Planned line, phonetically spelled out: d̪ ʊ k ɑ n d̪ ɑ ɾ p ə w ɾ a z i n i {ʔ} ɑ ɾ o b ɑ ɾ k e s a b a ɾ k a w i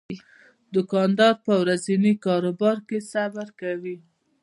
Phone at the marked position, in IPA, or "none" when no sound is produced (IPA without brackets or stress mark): k